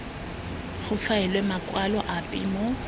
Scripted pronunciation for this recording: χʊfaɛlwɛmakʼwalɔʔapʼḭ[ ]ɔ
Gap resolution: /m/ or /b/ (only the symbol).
m